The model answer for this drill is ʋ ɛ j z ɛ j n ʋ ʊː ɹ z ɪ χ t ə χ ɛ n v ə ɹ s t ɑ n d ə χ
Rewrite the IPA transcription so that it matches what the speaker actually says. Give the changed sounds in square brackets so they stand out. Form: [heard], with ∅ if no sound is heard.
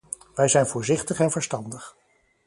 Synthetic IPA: ʋ ɛ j z ɛ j n [v] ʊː ɹ z ɪ χ t ə χ ɛ n v ə ɹ s t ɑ n d ə χ